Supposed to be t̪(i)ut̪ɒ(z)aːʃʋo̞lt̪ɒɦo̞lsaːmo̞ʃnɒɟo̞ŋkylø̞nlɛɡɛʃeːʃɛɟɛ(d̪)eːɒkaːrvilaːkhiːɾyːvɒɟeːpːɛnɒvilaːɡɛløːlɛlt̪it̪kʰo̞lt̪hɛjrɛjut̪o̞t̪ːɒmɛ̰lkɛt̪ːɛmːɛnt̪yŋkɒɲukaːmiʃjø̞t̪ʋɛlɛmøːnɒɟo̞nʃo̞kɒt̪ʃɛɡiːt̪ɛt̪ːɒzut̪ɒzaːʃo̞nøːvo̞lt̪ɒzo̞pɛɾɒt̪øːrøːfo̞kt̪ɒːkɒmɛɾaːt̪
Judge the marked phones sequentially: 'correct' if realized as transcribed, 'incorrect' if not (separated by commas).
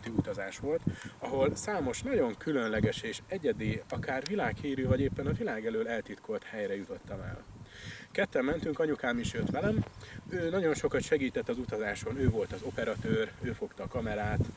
correct, correct, correct